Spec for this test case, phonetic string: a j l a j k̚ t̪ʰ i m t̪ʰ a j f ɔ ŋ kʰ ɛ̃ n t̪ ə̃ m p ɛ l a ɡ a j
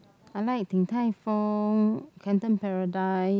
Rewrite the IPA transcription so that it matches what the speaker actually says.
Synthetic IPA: a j l a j k̚ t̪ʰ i ŋ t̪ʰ a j f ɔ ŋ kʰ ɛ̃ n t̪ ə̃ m p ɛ ɹ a d a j